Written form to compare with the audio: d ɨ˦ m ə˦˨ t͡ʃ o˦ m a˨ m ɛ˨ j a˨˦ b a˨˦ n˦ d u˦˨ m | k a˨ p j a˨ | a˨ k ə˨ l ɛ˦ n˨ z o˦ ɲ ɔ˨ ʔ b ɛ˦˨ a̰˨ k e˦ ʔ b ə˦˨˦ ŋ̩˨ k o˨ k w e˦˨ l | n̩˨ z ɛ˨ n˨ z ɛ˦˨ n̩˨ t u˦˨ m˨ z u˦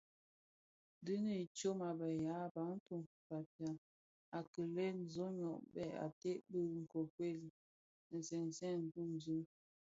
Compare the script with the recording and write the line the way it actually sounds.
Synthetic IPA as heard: d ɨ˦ n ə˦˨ t͡ʃ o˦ m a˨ b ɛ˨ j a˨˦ b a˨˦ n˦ t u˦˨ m | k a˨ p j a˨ | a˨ k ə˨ l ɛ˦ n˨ z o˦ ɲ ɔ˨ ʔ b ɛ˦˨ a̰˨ t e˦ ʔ b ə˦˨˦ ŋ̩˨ k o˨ k w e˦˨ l | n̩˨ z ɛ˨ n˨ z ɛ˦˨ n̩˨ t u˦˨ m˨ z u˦